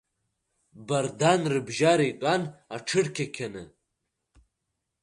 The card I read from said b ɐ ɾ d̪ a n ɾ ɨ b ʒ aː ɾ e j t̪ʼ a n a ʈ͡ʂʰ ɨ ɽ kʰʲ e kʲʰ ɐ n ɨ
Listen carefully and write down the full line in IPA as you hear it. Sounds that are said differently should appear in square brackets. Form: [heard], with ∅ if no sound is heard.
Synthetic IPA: b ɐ ɾ d̪ a n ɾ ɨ b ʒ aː ɾ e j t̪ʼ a n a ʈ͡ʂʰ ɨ ɽ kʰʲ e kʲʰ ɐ n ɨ